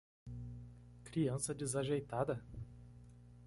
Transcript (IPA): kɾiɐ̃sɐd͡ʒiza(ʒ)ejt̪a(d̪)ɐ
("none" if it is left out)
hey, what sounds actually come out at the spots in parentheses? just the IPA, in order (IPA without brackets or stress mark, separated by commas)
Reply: ʒ, d̪